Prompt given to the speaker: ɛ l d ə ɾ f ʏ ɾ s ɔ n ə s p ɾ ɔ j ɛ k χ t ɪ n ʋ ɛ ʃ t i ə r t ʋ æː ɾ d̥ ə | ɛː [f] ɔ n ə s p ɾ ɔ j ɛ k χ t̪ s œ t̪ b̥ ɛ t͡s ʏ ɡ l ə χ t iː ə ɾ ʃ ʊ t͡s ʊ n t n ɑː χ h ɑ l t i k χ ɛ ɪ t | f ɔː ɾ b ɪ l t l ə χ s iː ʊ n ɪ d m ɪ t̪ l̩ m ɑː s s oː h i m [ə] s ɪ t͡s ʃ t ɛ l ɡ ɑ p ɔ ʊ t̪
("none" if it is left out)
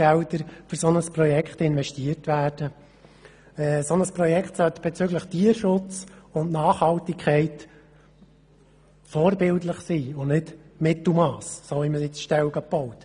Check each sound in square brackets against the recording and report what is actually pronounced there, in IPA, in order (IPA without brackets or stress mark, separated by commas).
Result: s, ə